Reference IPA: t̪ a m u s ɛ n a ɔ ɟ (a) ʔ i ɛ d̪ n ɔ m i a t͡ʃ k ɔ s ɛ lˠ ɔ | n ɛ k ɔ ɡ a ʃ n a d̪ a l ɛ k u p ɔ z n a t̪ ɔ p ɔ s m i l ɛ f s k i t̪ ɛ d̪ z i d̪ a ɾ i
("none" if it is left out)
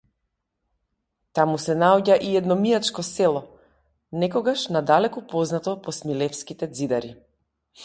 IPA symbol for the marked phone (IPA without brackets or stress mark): a